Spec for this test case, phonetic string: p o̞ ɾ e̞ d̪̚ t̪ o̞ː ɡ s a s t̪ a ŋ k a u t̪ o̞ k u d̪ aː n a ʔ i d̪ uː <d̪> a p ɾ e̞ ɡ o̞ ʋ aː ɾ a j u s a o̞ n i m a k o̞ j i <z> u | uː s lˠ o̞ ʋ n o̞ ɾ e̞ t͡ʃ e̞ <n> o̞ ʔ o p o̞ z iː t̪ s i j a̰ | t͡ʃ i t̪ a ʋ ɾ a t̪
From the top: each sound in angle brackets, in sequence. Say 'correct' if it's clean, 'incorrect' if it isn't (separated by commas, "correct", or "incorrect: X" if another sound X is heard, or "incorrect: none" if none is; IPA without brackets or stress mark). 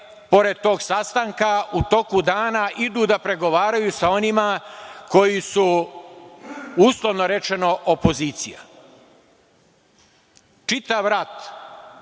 correct, incorrect: s, correct